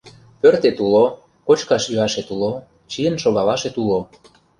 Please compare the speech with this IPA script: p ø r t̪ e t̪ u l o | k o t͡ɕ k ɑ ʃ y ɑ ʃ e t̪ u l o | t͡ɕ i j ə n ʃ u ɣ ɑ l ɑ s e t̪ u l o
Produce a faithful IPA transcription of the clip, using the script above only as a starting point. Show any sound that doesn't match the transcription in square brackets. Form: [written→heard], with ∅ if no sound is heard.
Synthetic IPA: p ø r t̪ e t̪ u l o | k o t͡ɕ k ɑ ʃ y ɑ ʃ e t̪ u l o | t͡ɕ i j ə n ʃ [u→o] ɣ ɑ l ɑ [s→ʃ] e t̪ u l o